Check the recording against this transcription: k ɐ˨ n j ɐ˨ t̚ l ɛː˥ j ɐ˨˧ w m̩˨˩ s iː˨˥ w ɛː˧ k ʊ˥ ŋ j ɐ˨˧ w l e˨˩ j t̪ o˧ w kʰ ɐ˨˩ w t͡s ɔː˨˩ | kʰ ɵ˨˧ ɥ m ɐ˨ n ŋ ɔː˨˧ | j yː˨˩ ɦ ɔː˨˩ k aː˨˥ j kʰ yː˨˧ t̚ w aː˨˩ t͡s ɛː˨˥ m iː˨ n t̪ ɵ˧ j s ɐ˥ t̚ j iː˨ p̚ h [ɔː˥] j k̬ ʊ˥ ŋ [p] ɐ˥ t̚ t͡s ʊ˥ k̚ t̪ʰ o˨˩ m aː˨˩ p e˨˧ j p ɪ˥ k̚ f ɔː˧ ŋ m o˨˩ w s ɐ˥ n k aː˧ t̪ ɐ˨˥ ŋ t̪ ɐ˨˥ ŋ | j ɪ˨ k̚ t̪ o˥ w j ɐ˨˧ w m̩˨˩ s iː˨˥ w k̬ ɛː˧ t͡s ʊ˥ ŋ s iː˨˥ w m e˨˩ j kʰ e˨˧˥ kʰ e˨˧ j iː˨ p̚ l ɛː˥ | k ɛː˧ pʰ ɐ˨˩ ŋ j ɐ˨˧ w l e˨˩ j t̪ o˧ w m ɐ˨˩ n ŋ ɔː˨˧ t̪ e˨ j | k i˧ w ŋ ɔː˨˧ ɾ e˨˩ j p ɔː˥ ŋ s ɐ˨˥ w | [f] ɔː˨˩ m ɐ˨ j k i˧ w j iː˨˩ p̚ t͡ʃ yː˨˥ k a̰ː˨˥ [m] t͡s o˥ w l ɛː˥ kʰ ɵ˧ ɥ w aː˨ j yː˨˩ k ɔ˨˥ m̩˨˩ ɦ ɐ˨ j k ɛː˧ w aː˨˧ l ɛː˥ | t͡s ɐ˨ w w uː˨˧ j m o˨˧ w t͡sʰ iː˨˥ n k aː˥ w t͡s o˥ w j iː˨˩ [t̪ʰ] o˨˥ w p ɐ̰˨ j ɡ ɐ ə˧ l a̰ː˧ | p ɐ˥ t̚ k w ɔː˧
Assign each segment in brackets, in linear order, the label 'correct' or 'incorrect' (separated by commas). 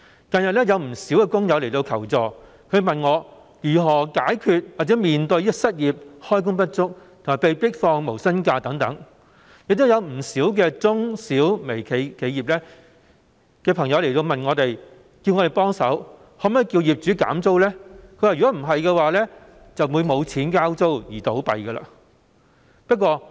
correct, correct, incorrect, correct, incorrect